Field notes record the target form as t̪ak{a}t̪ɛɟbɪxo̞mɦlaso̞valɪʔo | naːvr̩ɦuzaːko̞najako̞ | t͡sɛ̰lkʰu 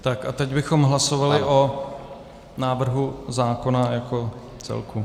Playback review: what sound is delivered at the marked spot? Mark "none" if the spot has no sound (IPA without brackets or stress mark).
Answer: a